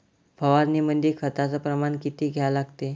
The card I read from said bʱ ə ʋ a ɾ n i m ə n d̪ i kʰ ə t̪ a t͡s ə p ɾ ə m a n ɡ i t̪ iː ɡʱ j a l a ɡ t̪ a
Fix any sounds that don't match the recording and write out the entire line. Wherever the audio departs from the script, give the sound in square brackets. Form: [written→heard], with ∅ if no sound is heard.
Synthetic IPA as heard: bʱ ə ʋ a ɾ n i m ə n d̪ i kʰ ə t̪ a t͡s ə p ɾ ə m a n [ɡ→k] i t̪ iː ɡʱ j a l a ɡ t̪ [a→e]